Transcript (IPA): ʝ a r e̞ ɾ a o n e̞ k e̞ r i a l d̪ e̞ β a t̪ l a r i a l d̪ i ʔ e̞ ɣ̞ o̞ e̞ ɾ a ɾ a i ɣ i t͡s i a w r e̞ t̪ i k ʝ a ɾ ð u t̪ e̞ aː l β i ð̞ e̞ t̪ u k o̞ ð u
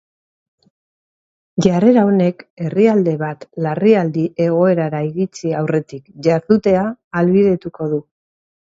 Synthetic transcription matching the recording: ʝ a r e̞ ɾ a o n e̞ k e̞ r i a l d̪ e̞ β a t̪ l a r i a l d̪ i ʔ e̞ ɣ̞ o̞ e̞ ɾ a ɾ a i ɣ i t͡s i a w r e̞ t̪ i k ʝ a ɾ ð u t̪ e̞ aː l β i ð̞ e̞ t̪ u k o̞ ð u

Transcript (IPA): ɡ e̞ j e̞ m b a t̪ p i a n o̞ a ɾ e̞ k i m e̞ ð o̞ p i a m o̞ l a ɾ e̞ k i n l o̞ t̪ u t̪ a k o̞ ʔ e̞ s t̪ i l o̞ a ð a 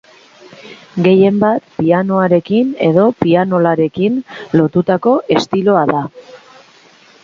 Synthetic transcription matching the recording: ɡ e̞ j e̞ m b a t̪ p i a n o̞ a ɾ e̞ k i n e̞ ð o̞ p i a n o̞ l a ɾ e̞ k i n l o̞ t̪ u t̪ a k o̞ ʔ e̞ s t̪ i l o̞ a ð a

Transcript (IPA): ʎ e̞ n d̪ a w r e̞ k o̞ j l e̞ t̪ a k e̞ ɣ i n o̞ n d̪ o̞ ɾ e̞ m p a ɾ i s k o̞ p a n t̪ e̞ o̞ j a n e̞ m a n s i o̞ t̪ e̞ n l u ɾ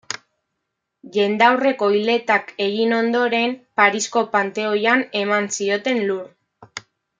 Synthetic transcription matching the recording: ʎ e̞ n d̪ a w r e̞ k o̞ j l e̞ t̪ a k e̞ ɣ i n o̞ n d̪ o̞ ɾ e̞ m p a ɾ i s k o̞ p a n t̪ e̞ o̞ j a n e̞ m a n s i o̞ t̪ e̞ n l u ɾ

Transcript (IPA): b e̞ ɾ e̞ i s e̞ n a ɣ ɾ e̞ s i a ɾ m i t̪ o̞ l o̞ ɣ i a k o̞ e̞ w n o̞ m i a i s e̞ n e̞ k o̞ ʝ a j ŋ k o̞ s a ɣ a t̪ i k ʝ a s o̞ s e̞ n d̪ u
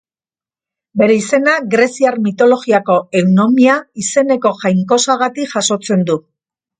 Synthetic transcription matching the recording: b e̞ ɾ e̞ i s e̞ n a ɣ ɾ e̞ s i a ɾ m i t̪ o̞ l o̞ ɣ i a k o̞ e̞ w n o̞ m i a i s e̞ n e̞ k o̞ ʝ a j ŋ k o̞ s a ɣ a t̪ i k ʝ a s o̞ t͡s e̞ n d̪ u

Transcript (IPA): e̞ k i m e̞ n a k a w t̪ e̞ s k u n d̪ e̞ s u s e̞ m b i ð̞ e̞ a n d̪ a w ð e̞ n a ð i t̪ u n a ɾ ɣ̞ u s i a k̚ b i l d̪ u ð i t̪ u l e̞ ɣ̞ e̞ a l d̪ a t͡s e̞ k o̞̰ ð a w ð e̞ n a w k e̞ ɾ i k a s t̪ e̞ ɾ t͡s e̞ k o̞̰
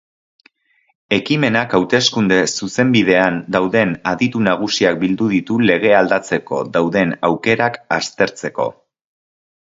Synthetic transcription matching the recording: e̞ k i m e̞ n a k a w t̪ e̞ s k u n d̪ e̞ s u s e̞ m b i ð̞ e̞ a n d̪ a w ð e̞ n a ð i t̪ u n a ɣ̞ u s i a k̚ b i l d̪ u ð i t̪ u l e̞ ɣ̞ e̞ a l d̪ a t͡s e̞ k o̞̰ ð a w ð e̞ n a w k e̞ ɾ a k a s t̪ e̞ ɾ t͡s e̞ k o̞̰

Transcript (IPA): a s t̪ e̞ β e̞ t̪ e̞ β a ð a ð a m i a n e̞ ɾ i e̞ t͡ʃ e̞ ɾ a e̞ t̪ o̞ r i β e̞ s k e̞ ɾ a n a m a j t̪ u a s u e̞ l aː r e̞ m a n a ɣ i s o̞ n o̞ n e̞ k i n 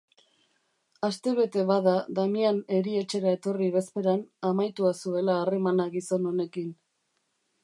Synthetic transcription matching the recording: a s t̪ e̞ β e̞ t̪ e̞ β a ð a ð a m i a n e̞ ɾ i e̞ t͡ʃ e̞ ɾ a e̞ t̪ o̞ r i β e̞ s p e̞ ɾ a n a m a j t̪ u a s u e̞ l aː r e̞ m a n a ɣ i s o̞ n o̞ n e̞ k i n

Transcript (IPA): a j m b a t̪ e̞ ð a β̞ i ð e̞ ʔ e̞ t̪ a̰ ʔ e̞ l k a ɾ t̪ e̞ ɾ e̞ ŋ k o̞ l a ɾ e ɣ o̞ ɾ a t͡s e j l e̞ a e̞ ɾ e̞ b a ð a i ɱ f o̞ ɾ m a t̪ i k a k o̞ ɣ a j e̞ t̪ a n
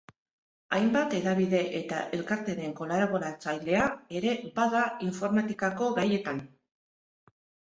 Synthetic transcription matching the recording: a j m b a t̪ e̞ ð a β̞ i ð e̞ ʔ e̞ t̪ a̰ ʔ e̞ l k a ɾ t̪ e̞ ɾ e̞ ŋ k o̞ l a ɾ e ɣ o̞ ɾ a t͡s a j l e̞ a e̞ ɾ e̞ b a ð a i ɱ f o̞ ɾ m a t̪ i k a k o̞ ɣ a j e̞ t̪ a n

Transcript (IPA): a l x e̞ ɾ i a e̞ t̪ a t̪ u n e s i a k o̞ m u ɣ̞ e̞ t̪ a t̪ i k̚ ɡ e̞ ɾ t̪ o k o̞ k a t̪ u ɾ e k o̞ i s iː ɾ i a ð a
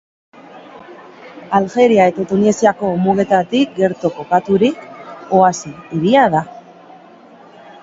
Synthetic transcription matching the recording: a l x e̞ ɾ i a e̞ t̪ a t̪ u n e s i a k o̞ m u ɣ̞ e̞ t̪ a t̪ i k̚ ɡ e̞ ɾ t̪ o k o̞ k a t̪ u ɾ i k o̞ a s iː ɾ i a ð a

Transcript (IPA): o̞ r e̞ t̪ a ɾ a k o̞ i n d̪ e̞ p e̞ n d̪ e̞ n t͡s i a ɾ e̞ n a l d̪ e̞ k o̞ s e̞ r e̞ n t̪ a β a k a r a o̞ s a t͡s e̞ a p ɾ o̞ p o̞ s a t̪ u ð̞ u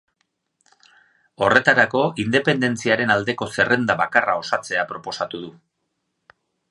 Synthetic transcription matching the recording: o̞ r e̞ t̪ a ɾ a k o̞ i n d̪ e̞ p e̞ n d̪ e̞ n t͡s i a ɾ e̞ n a l d̪ e̞ k o̞ s e̞ r e̞ n d̪ a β a k a r a o̞ s a t͡s e̞ a p ɾ o̞ p o̞ s a t̪ u ð̞ u

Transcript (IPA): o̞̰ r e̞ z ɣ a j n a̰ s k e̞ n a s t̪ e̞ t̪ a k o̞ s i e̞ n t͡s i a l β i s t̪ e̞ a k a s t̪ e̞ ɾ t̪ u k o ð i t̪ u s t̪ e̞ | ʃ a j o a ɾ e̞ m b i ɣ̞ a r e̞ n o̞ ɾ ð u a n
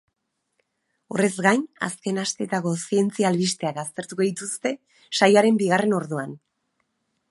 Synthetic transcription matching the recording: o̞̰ r e̞ z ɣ a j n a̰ s k e̞ n a s t̪ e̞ t̪ a k o̞ s i e̞ n t͡s i a l β i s t̪ e̞ a k a s t̪ e̞ ɾ t̪ u k o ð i t̪ u s t̪ e̞ | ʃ a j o a ɾ e̞ m b i ɣ̞ a r e̞ n o̞ ɾ ð u a n

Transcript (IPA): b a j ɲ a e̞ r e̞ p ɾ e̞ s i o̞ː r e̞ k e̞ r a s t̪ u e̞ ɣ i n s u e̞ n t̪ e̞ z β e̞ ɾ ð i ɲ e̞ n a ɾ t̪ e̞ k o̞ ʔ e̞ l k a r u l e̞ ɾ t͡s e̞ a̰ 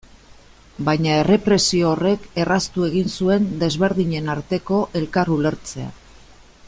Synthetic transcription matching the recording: b a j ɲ a e̞ r e̞ p ɾ e̞ s i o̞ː r e̞ k e̞ r a s t̪ u e̞ ɣ i n s u e̞ n d̪ e̞ z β e̞ ɾ ð i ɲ e̞ n a ɾ t̪ e̞ k o̞ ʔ e̞ l k a r u l e̞ ɾ t͡s e̞ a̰

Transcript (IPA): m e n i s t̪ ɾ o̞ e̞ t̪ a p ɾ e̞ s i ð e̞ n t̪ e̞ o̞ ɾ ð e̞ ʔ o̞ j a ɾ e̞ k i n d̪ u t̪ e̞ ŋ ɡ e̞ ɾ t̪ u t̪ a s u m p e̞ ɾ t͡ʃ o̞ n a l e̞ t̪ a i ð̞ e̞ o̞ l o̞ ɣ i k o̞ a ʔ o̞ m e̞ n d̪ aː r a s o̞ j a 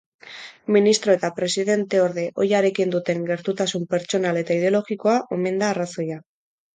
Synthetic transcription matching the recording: m i n i s t̪ ɾ o̞ e̞ t̪ a p ɾ e̞ s i ð e̞ n t̪ e̞ o̞ ɾ ð e̞ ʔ o̞ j a ɾ e̞ k i n d̪ u t̪ e̞ ŋ ɡ e̞ ɾ t̪ u t̪ a s u m p e̞ ɾ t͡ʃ o̞ n a l e̞ t̪ a i ð̞ e̞ o̞ l o̞ ɣ i k o̞ a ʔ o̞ m e̞ n d̪ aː r a s o̞ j a

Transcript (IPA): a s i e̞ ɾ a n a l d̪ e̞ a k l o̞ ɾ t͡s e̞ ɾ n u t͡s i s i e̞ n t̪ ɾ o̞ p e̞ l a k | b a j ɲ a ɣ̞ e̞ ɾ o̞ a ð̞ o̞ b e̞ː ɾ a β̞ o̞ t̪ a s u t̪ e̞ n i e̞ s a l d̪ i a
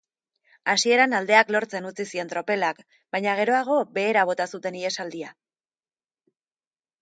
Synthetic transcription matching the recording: a s i e̞ ɾ a n a l d̪ e̞ a k l o̞ ɾ t͡s e̞ n u t͡s i s i e̞ n t̪ ɾ o̞ p e̞ l a k | b a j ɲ a ɣ̞ e̞ ɾ o̞ a ɣ̞ o̞ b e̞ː ɾ a β̞ o̞ t̪ a s u t̪ e̞ n i e̞ s a l d̪ i a

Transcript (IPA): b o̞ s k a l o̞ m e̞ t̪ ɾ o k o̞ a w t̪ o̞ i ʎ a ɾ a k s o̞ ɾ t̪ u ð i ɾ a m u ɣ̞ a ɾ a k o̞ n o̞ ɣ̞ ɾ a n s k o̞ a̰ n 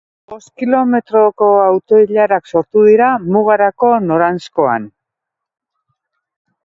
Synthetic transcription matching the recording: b o̞ s k i l o̞ m e̞ t̪ ɾ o k o̞ a w t̪ o̞ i ʎ a ɾ a k s o̞ ɾ t̪ u ð i ɾ a m u ɣ̞ a ɾ a k o̞ n o̞ ɾ a n s k o̞ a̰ n

